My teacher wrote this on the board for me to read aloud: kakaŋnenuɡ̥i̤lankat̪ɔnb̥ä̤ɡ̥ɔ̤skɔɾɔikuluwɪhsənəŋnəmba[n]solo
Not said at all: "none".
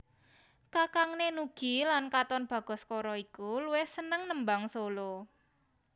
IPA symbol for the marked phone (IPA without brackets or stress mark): ŋ